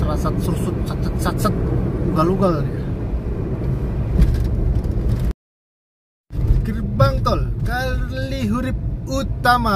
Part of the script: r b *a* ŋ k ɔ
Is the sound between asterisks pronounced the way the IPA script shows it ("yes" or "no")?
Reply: yes